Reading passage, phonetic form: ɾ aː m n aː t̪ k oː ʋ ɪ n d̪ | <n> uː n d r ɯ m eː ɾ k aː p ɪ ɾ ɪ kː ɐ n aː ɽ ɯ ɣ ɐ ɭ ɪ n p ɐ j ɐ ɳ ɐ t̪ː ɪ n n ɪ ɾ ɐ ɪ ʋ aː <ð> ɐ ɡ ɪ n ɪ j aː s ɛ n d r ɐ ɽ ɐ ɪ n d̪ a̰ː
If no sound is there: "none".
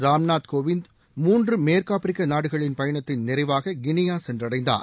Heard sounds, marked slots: m, ɣ

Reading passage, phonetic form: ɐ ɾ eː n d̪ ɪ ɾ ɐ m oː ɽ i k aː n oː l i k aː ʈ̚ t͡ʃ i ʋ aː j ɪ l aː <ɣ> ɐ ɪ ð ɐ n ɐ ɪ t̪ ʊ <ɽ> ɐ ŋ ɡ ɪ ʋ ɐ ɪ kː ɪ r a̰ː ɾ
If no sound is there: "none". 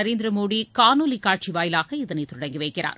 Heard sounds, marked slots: ɣ, ɽ

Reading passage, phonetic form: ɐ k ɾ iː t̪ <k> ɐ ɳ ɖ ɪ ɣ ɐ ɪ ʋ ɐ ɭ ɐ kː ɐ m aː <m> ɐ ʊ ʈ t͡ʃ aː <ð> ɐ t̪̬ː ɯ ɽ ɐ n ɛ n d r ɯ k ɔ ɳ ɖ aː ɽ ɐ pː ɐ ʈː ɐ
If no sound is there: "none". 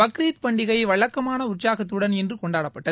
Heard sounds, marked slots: p, n, ɣ

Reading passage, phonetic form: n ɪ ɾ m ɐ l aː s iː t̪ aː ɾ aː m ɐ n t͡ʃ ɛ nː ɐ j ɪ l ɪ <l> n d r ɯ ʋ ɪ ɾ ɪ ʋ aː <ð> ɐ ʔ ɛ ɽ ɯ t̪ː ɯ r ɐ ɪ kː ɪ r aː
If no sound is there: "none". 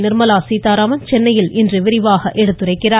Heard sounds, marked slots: none, ɣ

